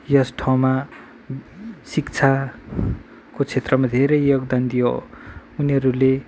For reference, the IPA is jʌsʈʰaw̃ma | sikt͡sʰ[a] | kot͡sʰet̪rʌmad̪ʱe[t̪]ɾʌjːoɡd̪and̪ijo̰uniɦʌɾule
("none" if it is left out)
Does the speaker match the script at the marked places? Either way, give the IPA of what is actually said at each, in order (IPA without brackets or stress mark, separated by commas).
a, none